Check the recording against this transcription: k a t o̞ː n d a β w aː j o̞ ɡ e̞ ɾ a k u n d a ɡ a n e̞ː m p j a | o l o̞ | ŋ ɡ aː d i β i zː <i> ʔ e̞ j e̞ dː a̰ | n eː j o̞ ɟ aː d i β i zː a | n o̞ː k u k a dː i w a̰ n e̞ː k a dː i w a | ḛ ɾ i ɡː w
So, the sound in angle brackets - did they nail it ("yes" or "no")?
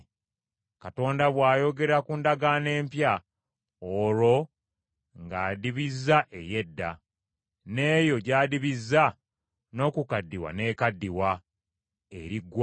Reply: no